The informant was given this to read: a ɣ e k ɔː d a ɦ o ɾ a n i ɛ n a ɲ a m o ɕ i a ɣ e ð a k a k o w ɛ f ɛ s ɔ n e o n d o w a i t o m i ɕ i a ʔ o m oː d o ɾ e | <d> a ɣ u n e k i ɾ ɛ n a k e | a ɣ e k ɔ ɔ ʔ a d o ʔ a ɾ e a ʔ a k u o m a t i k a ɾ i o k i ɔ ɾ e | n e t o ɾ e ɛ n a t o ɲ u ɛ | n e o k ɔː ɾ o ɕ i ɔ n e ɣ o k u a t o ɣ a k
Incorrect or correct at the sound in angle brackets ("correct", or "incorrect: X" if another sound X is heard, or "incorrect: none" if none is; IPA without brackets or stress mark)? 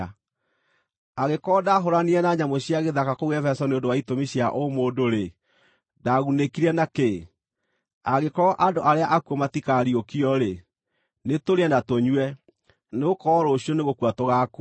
correct